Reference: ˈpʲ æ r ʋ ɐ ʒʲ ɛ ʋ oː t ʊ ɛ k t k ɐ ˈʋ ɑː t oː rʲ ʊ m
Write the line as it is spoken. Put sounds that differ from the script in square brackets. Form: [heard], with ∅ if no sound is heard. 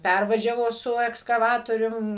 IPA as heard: ˈpʲ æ r ʋ ɐ ʒʲ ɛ ʋ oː [s] ʊ ɛ k [s] k ɐ ˈʋ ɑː t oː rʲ ʊ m